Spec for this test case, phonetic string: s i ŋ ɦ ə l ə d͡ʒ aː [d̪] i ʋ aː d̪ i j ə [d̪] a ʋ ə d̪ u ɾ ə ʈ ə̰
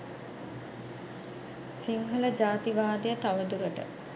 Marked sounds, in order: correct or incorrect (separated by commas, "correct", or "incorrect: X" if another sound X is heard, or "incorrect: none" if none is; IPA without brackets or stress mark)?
incorrect: t̪, incorrect: t̪